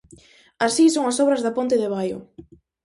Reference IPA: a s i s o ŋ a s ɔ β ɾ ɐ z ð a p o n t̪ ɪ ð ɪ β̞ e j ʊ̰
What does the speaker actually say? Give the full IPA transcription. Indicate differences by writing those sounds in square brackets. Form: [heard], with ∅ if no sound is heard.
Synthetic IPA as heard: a s i s o ŋ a s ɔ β ɾ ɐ z ð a p o n t̪ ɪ ð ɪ β̞ [a] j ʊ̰